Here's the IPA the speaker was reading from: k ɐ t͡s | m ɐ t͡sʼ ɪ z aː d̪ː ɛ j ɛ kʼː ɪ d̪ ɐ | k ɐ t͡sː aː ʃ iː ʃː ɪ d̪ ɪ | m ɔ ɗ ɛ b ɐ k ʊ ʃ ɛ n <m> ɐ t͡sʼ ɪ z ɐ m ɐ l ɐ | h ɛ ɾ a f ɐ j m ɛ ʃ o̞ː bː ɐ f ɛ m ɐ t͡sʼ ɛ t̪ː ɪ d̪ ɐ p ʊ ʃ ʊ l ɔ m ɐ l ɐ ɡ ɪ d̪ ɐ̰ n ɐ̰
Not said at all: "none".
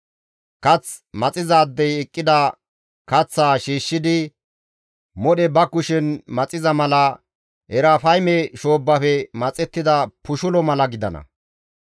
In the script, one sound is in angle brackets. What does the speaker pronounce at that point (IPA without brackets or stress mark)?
m